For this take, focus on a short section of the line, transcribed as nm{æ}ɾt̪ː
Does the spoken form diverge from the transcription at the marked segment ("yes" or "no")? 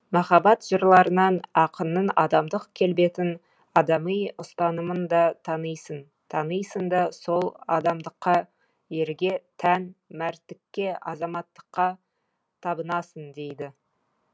no